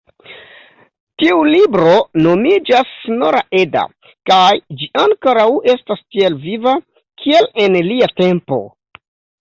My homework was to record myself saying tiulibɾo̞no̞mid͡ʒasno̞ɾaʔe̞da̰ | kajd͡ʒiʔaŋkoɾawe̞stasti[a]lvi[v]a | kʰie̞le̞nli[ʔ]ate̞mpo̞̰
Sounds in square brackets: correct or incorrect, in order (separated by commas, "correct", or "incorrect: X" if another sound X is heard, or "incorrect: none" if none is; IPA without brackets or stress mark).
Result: incorrect: e, correct, incorrect: none